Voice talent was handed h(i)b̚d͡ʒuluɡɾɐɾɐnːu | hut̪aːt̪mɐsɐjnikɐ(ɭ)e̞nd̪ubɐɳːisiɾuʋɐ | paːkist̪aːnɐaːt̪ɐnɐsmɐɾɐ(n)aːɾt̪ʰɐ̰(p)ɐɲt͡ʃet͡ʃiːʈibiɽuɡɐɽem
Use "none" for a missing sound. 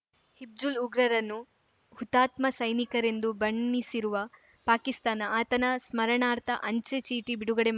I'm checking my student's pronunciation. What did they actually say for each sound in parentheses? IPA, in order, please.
i, ɾ, ɳ, ʔ

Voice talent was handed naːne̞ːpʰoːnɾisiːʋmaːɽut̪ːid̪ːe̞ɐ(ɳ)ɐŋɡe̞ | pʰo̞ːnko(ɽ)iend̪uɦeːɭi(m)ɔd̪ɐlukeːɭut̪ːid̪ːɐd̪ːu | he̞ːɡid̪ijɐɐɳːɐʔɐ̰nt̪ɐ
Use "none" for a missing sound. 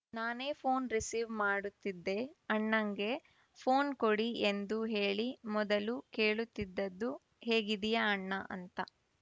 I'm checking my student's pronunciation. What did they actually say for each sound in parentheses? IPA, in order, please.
ɳː, ɽ, m

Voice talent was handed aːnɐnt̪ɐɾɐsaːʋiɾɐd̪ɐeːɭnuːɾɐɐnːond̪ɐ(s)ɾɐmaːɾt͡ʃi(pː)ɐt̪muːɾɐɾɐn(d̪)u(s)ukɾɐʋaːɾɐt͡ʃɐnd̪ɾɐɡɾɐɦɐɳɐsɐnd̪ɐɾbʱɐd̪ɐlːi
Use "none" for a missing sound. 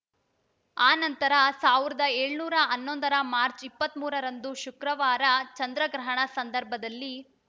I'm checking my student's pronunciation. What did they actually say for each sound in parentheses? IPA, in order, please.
none, pː, d̪, ʃ

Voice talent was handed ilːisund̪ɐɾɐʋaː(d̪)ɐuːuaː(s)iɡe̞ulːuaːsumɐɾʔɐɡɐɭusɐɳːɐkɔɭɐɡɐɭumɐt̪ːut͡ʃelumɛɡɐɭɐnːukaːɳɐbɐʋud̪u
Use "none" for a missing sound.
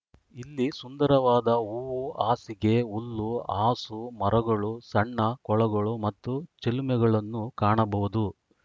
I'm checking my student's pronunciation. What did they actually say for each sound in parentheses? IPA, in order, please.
d̪, s

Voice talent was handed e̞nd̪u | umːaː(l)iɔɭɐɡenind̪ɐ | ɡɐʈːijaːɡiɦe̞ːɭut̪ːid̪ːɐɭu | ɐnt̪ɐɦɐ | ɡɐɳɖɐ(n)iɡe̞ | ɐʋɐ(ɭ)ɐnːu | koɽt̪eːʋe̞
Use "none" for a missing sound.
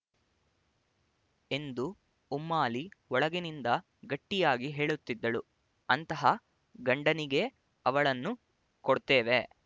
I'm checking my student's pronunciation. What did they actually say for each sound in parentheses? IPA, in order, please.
l, n, ɭ

